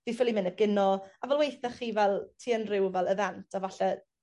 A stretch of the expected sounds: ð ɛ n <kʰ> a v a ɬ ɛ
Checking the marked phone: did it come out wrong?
yes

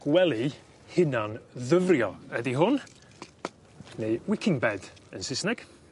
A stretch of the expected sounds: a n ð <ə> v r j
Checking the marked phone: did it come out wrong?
no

